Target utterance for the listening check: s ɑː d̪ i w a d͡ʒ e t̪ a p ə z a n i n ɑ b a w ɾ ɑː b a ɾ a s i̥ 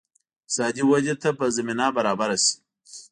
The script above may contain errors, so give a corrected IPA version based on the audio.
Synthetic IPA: s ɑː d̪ i w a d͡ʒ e t̪ a p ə z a m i n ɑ b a ɾ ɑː b a ɾ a s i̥